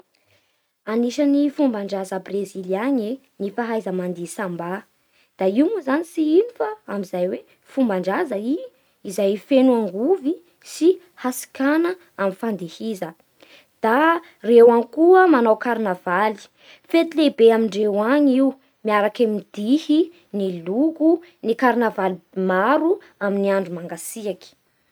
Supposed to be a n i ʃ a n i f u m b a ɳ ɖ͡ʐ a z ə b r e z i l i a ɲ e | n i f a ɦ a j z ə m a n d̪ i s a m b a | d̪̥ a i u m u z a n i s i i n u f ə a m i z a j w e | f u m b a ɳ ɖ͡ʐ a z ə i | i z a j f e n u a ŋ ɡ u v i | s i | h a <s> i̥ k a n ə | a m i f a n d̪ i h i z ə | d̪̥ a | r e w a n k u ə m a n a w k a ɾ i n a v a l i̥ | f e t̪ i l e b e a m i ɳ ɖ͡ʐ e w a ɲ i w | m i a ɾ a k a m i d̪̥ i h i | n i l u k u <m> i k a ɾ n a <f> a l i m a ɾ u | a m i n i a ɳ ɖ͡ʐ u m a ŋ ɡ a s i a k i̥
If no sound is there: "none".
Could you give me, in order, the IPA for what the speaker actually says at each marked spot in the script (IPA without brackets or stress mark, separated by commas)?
s, n, v